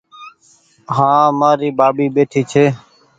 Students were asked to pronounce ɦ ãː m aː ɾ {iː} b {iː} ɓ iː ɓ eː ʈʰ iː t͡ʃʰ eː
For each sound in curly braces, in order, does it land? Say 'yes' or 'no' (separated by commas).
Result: yes, no